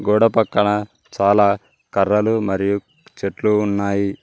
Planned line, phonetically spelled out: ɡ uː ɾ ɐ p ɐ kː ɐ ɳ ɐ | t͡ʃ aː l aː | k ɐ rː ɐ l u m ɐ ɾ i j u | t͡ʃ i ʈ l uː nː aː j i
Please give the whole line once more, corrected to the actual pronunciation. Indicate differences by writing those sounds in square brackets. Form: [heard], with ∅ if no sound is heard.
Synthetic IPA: ɡ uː [ɽ] ɐ p ɐ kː ɐ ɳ ɐ | t͡ʃ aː l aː | k ɐ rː ɐ l u m ɐ ɾ i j u | t͡ʃ [e] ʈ l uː nː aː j i